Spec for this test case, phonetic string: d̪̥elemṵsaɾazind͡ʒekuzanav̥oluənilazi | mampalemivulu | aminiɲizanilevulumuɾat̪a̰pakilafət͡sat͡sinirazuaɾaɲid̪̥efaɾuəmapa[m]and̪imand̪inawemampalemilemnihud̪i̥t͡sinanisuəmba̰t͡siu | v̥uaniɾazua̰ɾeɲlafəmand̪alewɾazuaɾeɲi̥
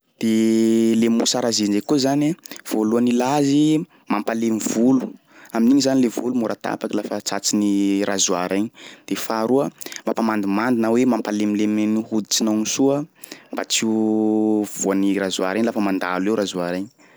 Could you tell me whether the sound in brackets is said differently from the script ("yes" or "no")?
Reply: no